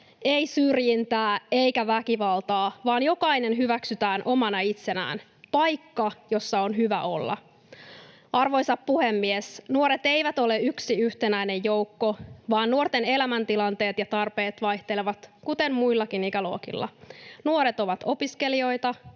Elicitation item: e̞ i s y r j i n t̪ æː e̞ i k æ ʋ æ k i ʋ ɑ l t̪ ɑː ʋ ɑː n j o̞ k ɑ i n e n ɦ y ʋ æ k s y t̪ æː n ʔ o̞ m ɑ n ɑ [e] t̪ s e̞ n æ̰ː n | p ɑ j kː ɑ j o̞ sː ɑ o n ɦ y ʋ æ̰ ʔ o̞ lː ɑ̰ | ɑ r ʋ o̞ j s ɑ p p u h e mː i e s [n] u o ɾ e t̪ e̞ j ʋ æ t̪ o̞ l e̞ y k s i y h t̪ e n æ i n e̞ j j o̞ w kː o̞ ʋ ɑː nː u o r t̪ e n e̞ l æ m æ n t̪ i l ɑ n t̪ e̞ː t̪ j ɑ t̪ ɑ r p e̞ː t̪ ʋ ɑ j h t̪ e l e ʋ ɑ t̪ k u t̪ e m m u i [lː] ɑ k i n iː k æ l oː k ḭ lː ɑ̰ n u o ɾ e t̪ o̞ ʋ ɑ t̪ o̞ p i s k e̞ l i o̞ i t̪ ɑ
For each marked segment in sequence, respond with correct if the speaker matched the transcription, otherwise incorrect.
incorrect: i, correct, correct

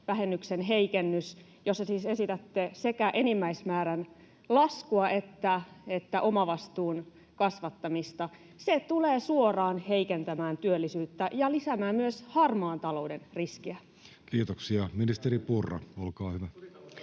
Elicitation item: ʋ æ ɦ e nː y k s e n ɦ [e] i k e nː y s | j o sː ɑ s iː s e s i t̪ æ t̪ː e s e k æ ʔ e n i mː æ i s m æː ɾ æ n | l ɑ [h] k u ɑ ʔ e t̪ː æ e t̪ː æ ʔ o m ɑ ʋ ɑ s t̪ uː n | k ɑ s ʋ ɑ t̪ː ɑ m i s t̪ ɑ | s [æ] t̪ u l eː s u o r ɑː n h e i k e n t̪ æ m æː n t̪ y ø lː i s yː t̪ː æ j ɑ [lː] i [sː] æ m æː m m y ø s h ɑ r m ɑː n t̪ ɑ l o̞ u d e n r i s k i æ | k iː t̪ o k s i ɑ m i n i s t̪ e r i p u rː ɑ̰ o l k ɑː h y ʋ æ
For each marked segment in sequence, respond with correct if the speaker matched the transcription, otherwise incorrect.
correct, incorrect: s, incorrect: e, incorrect: l, incorrect: s

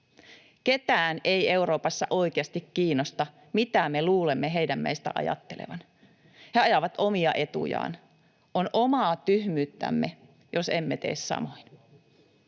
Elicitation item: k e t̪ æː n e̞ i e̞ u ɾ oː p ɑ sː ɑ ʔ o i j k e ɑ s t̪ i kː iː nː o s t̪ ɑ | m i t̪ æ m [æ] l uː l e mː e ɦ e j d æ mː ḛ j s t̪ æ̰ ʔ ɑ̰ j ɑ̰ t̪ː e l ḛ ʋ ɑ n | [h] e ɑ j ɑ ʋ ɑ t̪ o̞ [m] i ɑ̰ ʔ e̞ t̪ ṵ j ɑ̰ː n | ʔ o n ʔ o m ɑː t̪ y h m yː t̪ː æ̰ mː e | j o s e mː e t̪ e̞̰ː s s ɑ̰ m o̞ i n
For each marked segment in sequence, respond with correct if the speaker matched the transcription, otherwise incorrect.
incorrect: e, correct, correct

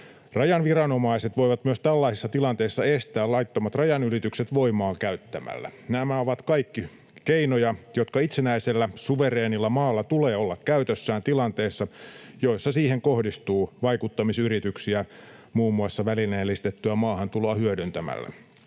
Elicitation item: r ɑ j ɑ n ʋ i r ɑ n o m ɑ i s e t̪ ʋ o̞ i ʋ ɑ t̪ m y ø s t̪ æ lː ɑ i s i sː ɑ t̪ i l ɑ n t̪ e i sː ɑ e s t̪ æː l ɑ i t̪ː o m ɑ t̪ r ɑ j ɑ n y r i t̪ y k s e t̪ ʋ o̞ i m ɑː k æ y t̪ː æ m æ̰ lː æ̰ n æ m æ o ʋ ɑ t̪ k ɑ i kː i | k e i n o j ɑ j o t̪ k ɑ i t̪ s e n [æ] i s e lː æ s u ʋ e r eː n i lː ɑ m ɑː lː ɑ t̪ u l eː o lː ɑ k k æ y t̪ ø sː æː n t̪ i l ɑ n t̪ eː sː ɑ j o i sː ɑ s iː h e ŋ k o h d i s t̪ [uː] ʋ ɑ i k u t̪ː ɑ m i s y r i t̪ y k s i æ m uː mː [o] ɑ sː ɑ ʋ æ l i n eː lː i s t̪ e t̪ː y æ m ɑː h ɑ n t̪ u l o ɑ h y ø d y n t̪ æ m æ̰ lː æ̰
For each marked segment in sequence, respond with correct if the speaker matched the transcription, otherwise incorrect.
correct, correct, incorrect: u

